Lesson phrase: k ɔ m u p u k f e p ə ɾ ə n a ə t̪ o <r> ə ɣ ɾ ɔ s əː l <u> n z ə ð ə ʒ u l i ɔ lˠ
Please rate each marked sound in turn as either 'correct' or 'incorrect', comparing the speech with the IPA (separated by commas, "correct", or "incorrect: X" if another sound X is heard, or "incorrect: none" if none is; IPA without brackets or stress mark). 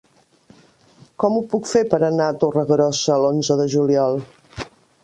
correct, incorrect: o